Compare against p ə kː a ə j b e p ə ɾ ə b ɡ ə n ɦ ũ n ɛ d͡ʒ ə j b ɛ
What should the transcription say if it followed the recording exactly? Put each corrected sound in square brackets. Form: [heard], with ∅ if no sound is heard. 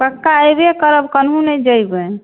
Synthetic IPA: p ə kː a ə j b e [k] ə ɾ ə b [k] ə n ɦ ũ n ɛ d͡ʒ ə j b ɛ